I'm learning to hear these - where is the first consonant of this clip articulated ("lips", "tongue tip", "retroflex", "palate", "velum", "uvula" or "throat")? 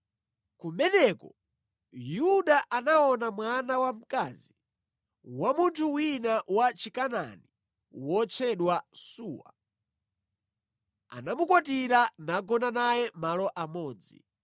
velum